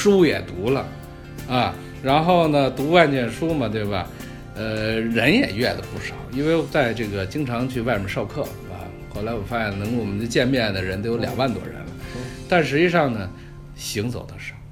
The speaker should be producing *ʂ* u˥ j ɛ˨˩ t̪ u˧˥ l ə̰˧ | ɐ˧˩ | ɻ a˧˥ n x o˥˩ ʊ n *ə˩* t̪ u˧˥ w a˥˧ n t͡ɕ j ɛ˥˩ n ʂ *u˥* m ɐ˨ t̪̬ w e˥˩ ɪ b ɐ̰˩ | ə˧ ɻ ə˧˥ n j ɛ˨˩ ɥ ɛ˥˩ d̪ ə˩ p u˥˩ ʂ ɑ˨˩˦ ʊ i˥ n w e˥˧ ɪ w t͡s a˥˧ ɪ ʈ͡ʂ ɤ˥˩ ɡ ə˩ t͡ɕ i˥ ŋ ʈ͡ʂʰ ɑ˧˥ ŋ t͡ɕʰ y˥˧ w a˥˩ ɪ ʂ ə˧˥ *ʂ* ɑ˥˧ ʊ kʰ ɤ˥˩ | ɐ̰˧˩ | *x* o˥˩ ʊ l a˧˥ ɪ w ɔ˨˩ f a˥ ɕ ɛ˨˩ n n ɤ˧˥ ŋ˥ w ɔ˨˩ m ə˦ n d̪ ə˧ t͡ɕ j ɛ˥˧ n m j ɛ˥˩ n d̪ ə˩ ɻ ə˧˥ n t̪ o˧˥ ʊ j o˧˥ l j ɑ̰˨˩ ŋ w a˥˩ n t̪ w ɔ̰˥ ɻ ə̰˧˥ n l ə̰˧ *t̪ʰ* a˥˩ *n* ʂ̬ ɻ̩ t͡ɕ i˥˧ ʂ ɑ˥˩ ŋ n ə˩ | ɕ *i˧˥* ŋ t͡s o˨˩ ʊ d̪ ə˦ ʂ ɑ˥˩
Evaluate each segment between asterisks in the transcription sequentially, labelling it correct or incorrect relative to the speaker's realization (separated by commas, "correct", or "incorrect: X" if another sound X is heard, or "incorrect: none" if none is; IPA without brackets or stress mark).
correct, correct, correct, correct, correct, incorrect: t̪, correct, correct